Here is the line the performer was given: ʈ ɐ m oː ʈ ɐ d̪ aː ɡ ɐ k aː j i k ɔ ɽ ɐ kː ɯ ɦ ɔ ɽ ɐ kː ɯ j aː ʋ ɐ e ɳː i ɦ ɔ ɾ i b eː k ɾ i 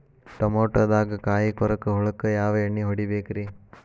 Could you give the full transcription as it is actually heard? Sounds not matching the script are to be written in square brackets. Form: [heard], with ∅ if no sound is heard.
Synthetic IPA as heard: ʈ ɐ m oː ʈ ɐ d̪ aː ɡ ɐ k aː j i k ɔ [ɾ] ɐ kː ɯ ɦ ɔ [ɭ] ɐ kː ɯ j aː ʋ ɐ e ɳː i ɦ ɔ [ɽ] i b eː k ɾ i